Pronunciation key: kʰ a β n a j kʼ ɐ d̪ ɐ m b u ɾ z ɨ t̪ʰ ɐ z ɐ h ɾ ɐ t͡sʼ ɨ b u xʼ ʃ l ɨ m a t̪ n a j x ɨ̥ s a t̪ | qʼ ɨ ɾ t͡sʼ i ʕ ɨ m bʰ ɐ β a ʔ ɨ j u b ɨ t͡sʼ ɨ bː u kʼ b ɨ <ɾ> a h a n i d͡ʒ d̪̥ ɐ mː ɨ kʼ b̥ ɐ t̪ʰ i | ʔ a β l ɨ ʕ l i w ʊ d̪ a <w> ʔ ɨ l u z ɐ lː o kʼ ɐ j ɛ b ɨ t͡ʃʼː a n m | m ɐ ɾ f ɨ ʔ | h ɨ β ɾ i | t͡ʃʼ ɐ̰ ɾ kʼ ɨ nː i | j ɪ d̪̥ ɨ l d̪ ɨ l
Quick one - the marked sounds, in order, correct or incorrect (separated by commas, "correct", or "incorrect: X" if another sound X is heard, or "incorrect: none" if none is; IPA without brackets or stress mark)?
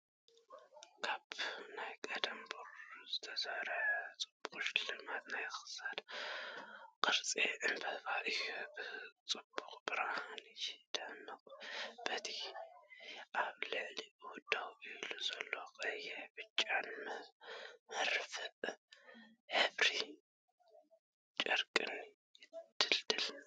correct, correct